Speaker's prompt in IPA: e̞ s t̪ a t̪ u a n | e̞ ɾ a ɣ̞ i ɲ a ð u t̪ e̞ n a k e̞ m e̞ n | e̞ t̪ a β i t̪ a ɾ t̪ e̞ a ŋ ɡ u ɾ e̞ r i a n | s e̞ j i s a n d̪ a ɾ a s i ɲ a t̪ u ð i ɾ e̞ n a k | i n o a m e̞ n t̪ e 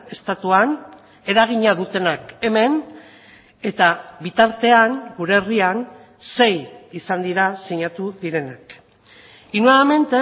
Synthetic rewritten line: e̞ s t̪ a t̪ u a n | e̞ ɾ a ɣ̞ i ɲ a ð u t̪ e̞ n a k e̞ m e̞ n | e̞ t̪ a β i t̪ a ɾ t̪ e̞ a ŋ ɡ u ɾ e̞ r i a n | s e̞ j i s a n d̪ i ɾ a s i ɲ a t̪ u ð i ɾ e̞ n a k | i n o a m e̞ n t̪ e